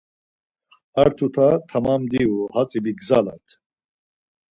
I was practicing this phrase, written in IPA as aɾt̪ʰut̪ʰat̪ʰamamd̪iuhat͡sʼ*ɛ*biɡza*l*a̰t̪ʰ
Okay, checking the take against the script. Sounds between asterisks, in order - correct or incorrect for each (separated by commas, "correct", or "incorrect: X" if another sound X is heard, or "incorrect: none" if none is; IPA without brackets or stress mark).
incorrect: i, correct